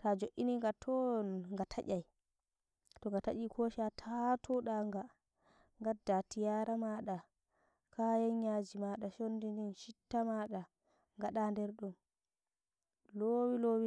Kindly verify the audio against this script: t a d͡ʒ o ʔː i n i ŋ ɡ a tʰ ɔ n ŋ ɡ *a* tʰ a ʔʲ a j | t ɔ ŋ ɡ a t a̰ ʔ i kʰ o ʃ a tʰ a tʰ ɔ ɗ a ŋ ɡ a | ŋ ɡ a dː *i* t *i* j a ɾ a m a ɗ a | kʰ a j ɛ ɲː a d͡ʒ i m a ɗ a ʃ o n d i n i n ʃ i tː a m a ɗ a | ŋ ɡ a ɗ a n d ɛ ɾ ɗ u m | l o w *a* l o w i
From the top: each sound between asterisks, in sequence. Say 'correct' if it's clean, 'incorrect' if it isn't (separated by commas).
correct, incorrect, correct, incorrect